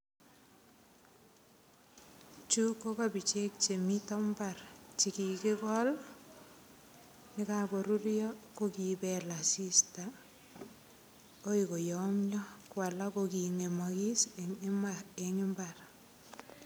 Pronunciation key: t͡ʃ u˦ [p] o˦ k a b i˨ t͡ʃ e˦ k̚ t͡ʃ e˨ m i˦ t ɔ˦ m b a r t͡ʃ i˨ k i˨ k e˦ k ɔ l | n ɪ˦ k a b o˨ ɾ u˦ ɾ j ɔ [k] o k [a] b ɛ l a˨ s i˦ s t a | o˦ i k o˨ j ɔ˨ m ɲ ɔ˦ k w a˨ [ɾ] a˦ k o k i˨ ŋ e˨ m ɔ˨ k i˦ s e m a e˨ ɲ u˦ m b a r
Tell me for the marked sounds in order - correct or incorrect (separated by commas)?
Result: incorrect, correct, incorrect, incorrect